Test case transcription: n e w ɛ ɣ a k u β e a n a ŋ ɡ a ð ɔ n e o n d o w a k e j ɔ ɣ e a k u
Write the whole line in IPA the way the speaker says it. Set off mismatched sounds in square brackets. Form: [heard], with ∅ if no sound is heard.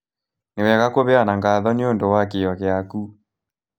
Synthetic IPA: n e w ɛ ɣ a k [o] β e a n a ŋ ɡ a ð ɔ n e o n d o w a k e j ɔ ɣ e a k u